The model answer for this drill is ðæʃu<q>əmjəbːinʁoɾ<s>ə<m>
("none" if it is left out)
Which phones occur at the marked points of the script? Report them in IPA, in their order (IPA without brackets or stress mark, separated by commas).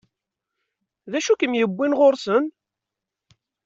k, s, n